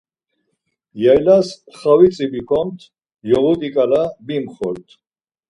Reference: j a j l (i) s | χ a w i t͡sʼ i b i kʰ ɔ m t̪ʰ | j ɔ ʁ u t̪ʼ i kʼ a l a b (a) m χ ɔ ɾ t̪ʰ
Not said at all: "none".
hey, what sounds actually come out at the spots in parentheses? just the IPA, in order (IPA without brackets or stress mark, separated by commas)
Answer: a, i